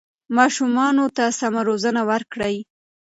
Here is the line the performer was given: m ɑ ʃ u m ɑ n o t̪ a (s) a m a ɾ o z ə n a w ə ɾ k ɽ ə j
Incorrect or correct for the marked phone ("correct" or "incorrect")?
correct